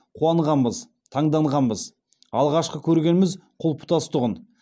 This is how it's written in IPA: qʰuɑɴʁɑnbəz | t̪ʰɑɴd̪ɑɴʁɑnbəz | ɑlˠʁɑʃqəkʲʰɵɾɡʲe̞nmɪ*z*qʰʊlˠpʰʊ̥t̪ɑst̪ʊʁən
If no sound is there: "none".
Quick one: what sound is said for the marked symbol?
z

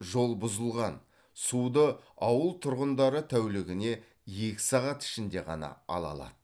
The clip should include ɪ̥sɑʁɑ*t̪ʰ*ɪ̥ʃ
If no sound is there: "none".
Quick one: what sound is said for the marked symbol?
t̪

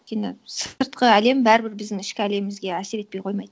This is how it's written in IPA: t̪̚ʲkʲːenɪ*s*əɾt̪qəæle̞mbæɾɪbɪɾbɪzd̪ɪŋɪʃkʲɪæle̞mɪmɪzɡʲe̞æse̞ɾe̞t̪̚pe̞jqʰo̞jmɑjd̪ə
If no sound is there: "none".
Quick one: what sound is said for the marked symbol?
s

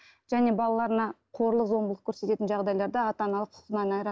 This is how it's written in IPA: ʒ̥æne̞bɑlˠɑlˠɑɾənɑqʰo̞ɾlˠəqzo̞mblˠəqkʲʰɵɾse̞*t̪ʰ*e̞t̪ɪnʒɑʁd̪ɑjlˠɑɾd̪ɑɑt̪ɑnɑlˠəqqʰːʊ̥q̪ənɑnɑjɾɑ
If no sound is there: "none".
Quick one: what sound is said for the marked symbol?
t̪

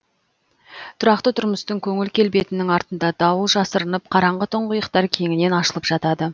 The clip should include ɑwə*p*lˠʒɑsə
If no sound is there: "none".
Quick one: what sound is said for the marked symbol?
none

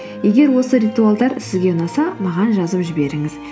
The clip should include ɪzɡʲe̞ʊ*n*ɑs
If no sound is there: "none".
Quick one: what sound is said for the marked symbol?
n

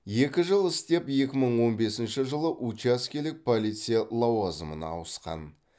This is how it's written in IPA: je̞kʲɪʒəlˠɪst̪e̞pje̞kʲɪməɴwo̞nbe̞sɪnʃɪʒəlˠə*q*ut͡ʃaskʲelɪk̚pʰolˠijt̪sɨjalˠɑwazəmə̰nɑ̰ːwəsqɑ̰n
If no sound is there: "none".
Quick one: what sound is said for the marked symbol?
ʔ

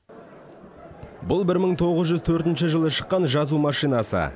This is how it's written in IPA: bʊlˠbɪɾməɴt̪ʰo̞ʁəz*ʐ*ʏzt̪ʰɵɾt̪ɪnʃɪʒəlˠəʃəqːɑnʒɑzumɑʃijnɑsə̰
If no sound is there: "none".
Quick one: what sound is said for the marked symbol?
ʒ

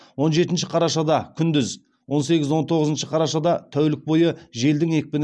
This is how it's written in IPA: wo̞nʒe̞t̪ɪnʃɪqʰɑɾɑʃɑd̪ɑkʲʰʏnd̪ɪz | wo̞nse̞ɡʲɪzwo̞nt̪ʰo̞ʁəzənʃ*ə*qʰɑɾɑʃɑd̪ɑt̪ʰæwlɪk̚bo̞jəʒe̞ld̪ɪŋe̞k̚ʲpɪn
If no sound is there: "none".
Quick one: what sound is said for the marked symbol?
ə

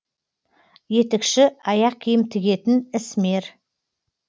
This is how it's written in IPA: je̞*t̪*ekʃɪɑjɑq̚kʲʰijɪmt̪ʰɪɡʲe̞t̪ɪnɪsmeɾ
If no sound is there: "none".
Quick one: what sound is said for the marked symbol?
t̪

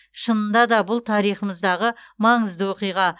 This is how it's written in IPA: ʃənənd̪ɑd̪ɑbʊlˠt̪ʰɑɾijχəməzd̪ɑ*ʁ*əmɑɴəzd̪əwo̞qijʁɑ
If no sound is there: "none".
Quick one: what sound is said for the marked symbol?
ʁ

